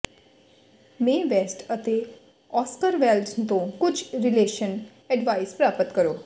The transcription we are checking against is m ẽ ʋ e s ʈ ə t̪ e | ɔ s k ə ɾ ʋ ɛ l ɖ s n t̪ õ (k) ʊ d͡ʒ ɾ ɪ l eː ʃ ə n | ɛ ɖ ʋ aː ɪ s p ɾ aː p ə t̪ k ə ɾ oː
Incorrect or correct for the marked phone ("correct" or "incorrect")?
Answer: correct